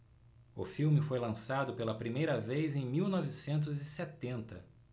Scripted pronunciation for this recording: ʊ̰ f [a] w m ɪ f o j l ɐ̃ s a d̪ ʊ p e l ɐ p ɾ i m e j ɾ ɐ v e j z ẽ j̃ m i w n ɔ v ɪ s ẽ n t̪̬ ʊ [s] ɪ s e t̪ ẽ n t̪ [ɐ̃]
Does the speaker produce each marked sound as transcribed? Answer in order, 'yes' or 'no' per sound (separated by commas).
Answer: no, no, no